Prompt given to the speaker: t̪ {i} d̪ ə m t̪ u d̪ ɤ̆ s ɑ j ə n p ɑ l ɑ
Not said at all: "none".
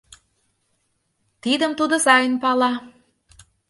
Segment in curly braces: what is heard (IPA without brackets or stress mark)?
i